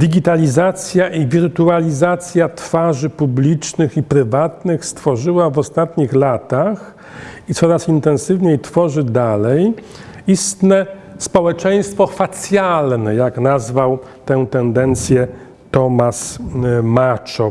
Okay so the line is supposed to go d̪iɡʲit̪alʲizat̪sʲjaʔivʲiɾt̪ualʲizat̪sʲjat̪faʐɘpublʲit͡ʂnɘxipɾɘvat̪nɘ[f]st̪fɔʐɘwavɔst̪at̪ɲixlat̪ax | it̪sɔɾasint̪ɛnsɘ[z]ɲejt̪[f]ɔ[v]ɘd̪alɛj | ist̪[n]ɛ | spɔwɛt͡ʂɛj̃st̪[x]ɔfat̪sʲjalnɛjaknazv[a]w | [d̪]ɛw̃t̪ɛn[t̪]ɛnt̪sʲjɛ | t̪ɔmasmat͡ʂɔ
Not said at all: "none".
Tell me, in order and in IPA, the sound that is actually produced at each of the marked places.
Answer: x, v, f, ʐ, n, f, a, t̪, d̪

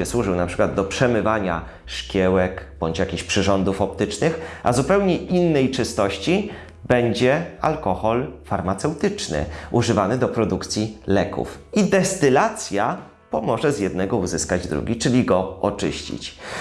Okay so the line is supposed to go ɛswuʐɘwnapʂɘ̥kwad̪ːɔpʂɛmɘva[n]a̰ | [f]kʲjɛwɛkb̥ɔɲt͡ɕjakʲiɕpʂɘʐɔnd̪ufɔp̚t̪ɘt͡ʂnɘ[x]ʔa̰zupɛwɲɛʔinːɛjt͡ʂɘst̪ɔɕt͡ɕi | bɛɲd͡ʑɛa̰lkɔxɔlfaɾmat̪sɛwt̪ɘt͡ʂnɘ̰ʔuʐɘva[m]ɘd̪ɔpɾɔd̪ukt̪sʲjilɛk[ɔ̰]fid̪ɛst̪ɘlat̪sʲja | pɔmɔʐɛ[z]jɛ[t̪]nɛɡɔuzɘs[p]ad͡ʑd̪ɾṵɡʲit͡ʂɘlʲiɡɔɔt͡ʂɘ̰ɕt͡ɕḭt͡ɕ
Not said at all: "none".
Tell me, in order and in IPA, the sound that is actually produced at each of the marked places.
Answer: ɲ, ʂ, x, n, ṵ, z, d̪, k

